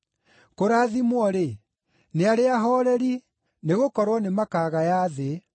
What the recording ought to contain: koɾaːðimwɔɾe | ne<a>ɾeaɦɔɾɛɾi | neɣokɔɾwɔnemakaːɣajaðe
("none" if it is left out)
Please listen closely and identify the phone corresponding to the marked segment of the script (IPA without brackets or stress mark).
a